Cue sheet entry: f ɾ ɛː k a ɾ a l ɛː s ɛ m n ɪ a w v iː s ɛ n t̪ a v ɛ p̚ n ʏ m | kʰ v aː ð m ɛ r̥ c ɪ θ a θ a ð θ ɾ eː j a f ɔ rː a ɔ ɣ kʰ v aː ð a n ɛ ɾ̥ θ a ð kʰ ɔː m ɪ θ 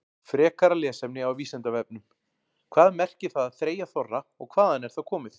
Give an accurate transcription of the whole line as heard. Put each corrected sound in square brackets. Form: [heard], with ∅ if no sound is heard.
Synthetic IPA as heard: f ɾ ɛː k a ɾ a l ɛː s ɛ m n ɪ a w v iː s ɛ n t̪ a v ɛ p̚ n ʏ m | kʰ v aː ð m ɛ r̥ c ɪ θ a [ð] a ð θ ɾ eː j a [θ] ɔ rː a ɔ ɣ kʰ v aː ð a n ɛ ɾ̥ θ a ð kʰ ɔː m ɪ θ

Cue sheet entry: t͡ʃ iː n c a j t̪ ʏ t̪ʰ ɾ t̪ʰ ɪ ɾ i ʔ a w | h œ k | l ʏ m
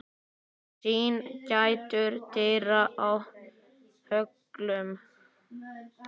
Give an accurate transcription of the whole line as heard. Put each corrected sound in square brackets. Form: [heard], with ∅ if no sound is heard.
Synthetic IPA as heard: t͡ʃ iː n c a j t̪ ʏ [∅] ɾ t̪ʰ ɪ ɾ [a] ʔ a w | h œ k | l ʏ m

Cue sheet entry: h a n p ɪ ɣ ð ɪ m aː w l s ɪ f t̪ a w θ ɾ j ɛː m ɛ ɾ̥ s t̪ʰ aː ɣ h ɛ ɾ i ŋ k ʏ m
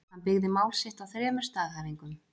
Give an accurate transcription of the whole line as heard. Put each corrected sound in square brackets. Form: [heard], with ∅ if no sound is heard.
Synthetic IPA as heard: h a n p ɪ ɣ ð ɪ m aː w l s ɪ [h] t̪ a w θ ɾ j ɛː m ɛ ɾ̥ s [t̪] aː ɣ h [a] ɾ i ŋ k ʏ m

